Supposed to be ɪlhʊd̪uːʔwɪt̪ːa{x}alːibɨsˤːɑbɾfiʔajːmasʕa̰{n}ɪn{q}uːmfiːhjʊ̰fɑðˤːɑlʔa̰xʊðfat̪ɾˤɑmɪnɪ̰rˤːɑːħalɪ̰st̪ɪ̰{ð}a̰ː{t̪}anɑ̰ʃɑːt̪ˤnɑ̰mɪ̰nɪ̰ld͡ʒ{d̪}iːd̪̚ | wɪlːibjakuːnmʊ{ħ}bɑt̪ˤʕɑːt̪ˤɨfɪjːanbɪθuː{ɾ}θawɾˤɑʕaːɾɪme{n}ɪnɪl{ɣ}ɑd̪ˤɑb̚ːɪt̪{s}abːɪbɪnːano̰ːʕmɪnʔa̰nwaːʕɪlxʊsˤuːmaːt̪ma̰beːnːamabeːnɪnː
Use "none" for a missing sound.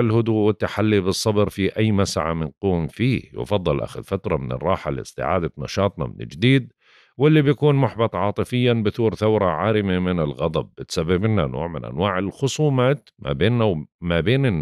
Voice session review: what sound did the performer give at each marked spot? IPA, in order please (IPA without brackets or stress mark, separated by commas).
ħ, m, q, ʕ, d̪, d̪, ħ, ɾ, m, ɣ, s